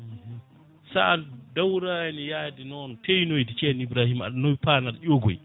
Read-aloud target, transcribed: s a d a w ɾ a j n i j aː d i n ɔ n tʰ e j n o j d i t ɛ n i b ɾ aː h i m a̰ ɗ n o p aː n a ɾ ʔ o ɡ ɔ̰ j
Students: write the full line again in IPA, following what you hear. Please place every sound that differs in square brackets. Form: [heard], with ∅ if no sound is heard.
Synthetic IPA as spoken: s a d a w ɾ a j n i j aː d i n ɔ n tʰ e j n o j d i [t͡ʃ] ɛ n i b ɾ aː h i m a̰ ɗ n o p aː n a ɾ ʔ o ɡ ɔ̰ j

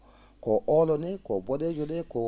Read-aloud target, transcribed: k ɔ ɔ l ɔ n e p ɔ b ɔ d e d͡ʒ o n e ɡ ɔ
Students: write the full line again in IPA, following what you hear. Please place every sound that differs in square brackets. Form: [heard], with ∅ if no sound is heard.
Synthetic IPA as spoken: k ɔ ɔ l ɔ n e [k] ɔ b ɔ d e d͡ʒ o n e [k] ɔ

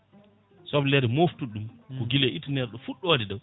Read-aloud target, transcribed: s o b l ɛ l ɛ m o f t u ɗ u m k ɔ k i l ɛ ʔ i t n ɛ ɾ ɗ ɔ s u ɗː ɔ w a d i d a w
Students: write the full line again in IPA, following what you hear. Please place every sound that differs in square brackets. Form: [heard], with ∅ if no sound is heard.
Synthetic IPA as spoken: s [ɔ] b l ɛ [ɾ] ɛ m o f t u ɗ u m k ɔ [ɡ] i l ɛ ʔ i t n ɛ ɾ ɗ ɔ [f] u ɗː ɔ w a d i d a w

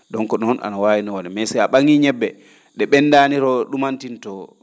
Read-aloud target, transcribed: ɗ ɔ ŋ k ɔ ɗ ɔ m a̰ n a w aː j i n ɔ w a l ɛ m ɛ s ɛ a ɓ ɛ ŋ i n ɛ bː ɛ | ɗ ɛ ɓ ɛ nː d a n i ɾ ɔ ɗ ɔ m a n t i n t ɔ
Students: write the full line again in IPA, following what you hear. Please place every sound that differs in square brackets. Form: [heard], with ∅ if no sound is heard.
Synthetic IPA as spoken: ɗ ɔ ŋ k ɔ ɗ ɔ [n] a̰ n a w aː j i n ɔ w a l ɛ m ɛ s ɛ a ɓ [a] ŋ i [ɲ] ɛ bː ɛ | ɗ ɛ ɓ ɛ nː d a n i ɾ ɔ ɗ [u] m a n t i n t ɔ

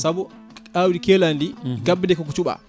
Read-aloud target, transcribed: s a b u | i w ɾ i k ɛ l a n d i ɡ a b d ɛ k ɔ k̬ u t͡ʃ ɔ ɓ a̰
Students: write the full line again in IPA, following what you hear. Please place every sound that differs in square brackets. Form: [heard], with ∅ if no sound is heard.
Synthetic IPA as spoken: s a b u | [a] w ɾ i k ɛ l a n d i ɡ a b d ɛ k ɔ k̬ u t͡ʃ [u] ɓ a̰

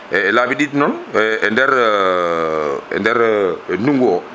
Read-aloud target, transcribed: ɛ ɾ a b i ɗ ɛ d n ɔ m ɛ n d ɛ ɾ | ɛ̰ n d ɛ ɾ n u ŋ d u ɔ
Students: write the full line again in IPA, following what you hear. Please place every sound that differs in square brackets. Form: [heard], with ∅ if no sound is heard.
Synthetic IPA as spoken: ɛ [l] a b i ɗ [i] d n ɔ [n] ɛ n d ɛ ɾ | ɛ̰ n d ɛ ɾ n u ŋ [ɡ] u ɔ

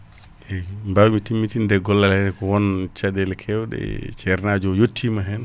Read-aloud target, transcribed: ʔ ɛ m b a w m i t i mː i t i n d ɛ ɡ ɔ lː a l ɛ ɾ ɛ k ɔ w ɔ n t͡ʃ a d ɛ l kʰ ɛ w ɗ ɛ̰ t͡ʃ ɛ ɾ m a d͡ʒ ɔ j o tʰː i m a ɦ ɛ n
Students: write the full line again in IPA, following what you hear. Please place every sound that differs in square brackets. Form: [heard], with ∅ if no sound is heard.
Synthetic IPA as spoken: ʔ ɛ m b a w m i t i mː i t i n d ɛ ɡ ɔ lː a l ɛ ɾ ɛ k ɔ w ɔ n t͡ʃ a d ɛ l kʰ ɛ w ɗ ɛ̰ t͡ʃ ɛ ɾ [n] a d͡ʒ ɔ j o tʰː i m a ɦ ɛ n

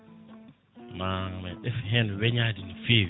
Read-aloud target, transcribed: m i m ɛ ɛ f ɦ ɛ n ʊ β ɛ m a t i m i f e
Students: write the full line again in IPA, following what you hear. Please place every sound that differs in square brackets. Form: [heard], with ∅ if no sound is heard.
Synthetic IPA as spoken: m [a] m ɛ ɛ f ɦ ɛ n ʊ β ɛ [ɲ] a [d] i [n] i f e

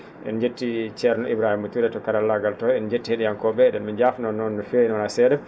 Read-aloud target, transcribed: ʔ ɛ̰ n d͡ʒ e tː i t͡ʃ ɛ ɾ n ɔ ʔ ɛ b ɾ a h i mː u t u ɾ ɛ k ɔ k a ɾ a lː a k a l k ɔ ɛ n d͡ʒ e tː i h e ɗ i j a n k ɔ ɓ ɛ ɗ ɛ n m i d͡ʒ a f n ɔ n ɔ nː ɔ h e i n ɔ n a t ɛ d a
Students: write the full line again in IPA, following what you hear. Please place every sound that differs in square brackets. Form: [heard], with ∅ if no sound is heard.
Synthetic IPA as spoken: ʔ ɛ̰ n d͡ʒ e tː i t͡ʃ ɛ ɾ n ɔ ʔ [i] b ɾ a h i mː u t u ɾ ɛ [t] ɔ k a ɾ a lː a [ɡ] a l [t] ɔ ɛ n d͡ʒ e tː i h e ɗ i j a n k ɔ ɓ ɛ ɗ ɛ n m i d͡ʒ a f n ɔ n ɔ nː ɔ [f] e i n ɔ n a [s] ɛ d [ɛ]

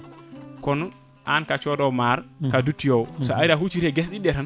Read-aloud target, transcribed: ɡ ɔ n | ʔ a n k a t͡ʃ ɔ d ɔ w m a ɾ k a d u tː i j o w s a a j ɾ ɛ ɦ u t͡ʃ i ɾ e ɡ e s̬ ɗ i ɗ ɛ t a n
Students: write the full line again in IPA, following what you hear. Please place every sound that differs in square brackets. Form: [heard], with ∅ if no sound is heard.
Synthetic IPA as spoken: [k] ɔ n | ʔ a n k a t͡ʃ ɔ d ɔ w m a ɾ k a d u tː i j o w s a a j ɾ [a] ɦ u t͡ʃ i ɾ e ɡ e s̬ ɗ i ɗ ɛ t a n

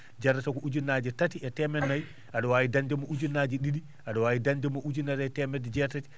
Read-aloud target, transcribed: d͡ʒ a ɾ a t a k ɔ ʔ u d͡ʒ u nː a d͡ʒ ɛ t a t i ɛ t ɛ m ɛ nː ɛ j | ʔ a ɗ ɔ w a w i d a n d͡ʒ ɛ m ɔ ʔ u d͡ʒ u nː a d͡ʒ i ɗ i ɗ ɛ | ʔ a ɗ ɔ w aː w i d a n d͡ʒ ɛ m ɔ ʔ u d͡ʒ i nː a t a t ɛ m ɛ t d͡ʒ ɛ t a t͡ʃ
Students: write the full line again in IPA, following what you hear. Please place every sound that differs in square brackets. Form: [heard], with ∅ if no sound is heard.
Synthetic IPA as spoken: d͡ʒ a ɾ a t a k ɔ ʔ u d͡ʒ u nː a d͡ʒ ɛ t a t i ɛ t ɛ m ɛ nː [a] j | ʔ a ɗ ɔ w a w i d a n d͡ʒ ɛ m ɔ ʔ u d͡ʒ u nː a d͡ʒ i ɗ i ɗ [i] | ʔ a ɗ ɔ w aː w i d a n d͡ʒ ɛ m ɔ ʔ u d͡ʒ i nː a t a t ɛ m ɛ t d͡ʒ ɛ t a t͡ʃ

